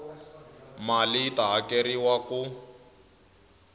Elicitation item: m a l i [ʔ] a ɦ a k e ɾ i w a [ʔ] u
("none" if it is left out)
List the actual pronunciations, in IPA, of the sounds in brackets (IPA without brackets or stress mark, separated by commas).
t, k